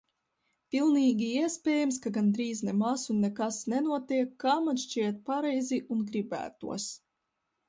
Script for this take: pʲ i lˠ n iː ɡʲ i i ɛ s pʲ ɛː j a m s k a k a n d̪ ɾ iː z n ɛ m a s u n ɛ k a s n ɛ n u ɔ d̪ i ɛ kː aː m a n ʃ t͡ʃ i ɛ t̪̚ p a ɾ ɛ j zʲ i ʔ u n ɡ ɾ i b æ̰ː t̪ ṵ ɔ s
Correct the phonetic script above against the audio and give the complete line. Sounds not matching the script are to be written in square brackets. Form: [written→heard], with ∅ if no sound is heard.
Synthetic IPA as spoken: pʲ i lˠ n iː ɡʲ i i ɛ s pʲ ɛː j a m s k a [k→ɡ] a n d̪ ɾ iː z n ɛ m a s u [n→nː] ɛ k a s n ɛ n u ɔ [d̪→t̪] i ɛ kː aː m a n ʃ t͡ʃ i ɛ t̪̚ p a ɾ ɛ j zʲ i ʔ u n ɡ ɾ i b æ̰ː t̪ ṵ ɔ s